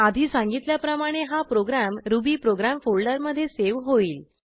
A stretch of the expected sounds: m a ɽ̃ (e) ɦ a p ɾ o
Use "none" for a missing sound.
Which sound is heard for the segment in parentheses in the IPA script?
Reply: e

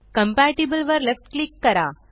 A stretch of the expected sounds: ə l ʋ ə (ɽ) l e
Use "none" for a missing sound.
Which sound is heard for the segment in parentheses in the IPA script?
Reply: ɾ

